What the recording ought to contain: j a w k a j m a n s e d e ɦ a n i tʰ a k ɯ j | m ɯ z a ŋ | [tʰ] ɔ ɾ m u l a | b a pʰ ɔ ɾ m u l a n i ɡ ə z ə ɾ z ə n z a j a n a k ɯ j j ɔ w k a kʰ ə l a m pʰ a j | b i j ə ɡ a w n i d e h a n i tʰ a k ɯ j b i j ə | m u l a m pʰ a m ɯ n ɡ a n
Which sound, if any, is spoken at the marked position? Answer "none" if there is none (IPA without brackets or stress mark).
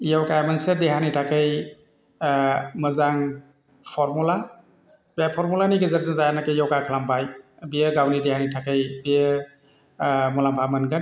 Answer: pʰ